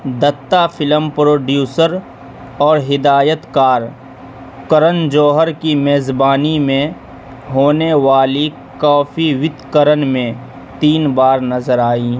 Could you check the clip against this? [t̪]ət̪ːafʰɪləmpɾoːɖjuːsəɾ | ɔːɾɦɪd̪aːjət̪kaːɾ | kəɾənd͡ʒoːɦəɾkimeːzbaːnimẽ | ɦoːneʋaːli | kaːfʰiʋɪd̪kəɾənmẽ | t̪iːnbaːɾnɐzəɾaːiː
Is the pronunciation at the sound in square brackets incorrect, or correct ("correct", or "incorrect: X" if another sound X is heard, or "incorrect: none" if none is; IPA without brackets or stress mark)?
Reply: incorrect: d̪